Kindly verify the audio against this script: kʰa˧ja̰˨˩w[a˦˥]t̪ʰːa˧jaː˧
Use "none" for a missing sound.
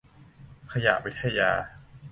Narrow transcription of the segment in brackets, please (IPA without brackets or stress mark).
i˦˥